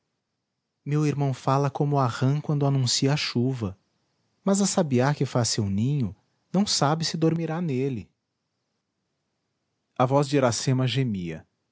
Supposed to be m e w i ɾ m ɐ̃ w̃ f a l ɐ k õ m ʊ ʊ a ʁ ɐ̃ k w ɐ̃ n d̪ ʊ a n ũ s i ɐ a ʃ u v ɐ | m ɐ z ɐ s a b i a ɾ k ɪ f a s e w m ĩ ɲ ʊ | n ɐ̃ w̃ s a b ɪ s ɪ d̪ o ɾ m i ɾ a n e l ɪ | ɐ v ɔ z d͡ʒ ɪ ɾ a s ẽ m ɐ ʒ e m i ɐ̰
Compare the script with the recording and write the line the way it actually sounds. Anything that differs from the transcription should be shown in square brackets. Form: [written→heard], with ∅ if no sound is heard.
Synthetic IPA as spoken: m e w i ɾ m ɐ̃ w̃ f a l ɐ k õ m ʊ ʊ a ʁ ɐ̃ k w ɐ̃ n d̪ ʊ a n ũ s i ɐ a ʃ u v ɐ | m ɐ z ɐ s a b i a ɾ k ɪ f a s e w [m→n] ĩ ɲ ʊ | n ɐ̃ w̃ s a b ɪ s ɪ d̪ o ɾ m i ɾ a n e l ɪ | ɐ v ɔ z d͡ʒ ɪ ɾ a s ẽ m ɐ ʒ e m i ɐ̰